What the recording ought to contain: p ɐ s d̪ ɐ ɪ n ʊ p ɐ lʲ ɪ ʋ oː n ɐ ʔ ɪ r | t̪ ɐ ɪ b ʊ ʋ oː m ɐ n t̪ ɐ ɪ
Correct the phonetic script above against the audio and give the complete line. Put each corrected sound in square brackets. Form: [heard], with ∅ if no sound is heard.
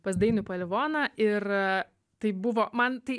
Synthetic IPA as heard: p ɐ s d̪ ɐ ɪ n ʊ p ɐ lʲ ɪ ʋ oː n ɐ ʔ ɪ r | t̪ ɐ ɪ b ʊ ʋ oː m ɐ n t̪ ɐ ɪ